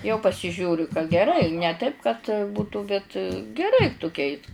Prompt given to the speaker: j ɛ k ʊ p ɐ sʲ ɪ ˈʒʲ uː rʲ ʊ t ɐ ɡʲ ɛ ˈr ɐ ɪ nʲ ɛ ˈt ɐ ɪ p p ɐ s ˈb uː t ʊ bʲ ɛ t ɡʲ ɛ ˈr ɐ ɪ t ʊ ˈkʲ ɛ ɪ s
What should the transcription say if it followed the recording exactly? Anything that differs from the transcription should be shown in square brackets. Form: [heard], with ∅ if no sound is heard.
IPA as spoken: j ɛ [∅] ʊ p ɐ sʲ ɪ ˈʒʲ uː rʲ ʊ [k] ɐ ɡʲ ɛ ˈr ɐ ɪ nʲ ɛ ˈt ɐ ɪ p [k] ɐ [t] ˈb uː t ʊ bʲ ɛ t ɡʲ ɛ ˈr ɐ ɪ t ʊ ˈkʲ ɛ ɪ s